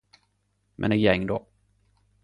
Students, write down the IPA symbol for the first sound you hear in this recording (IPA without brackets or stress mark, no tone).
m